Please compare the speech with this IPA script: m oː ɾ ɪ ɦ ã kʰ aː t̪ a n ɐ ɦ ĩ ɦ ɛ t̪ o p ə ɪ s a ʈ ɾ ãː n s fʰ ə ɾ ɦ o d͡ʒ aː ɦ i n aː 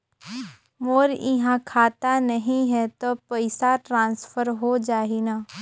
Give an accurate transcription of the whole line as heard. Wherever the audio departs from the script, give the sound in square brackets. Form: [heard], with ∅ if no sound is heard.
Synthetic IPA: m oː ɾ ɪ ɦ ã kʰ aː t̪ a n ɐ ɦ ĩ ɦ ɛ t̪ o p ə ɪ s a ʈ ɾ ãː n s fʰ ə ɾ ɦ o d͡ʒ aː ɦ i n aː